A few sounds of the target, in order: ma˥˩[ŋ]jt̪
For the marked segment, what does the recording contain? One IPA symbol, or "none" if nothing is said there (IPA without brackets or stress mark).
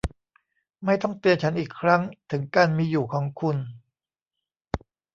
none